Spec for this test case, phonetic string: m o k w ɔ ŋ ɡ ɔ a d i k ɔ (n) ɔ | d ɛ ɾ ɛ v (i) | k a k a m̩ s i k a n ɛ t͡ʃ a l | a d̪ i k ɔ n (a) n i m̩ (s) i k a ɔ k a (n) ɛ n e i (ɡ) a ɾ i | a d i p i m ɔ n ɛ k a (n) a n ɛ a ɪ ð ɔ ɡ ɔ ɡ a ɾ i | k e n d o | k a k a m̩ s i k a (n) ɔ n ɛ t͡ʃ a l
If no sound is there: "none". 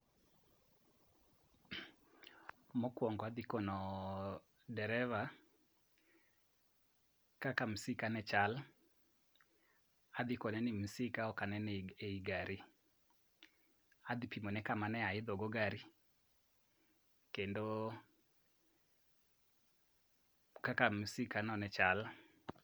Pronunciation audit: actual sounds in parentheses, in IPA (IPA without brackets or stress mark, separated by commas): n, a, ɛ, s, n, ɡ, m, n